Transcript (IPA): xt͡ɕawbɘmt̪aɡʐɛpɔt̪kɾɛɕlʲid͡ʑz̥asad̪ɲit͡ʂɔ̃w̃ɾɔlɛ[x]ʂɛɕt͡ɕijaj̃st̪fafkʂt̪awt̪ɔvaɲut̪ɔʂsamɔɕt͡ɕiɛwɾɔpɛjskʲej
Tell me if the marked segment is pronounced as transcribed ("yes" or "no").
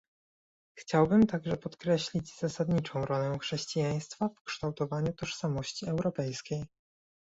yes